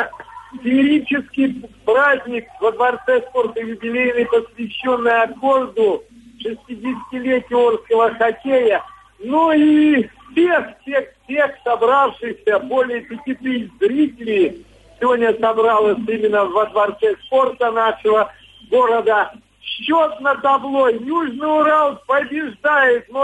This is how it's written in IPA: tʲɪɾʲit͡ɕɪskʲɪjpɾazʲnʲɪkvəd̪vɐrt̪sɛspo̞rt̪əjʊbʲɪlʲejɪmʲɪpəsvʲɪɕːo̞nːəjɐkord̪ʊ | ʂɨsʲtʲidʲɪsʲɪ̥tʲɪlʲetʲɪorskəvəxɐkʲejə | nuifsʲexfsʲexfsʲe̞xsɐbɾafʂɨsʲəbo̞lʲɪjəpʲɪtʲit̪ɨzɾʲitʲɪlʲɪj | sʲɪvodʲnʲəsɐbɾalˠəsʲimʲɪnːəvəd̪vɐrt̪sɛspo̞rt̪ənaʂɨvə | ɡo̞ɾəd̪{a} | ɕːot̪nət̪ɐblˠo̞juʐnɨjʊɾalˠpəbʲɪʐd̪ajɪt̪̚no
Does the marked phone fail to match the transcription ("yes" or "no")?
yes